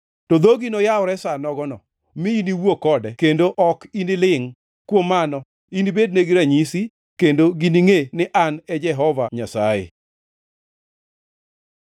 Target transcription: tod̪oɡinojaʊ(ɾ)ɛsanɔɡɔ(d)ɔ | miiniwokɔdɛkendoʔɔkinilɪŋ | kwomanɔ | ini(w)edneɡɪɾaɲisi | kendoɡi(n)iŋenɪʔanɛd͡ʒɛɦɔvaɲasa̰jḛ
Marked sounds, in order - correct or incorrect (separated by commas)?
correct, incorrect, incorrect, correct